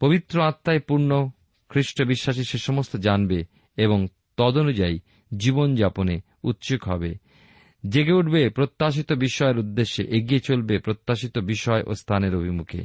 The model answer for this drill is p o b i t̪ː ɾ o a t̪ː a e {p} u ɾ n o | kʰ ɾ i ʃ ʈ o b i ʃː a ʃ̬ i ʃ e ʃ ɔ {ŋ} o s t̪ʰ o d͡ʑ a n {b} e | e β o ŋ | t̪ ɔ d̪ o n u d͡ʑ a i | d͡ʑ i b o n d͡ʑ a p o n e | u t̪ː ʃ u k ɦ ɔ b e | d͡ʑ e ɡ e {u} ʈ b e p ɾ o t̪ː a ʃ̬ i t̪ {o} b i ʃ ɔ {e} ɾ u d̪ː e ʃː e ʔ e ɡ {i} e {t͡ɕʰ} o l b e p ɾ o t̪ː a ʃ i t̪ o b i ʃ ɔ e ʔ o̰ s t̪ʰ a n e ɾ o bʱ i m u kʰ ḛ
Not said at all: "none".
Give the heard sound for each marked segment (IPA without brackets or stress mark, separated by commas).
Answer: p, m, b, u, o, e, i, t͡ɕ